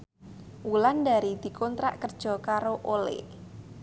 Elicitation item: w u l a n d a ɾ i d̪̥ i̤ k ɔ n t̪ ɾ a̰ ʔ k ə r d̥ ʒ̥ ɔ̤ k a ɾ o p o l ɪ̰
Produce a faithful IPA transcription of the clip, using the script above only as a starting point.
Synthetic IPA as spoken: w u l a n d a ɾ i d̪̥ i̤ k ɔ n t̪ ɾ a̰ ʔ k ə r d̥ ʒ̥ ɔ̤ k a ɾ o ʔ o l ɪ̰